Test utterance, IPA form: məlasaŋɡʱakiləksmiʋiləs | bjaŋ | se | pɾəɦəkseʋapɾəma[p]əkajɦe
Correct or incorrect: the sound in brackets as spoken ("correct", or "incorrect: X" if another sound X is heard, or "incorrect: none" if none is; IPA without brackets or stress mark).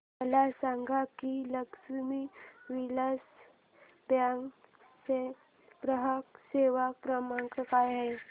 incorrect: k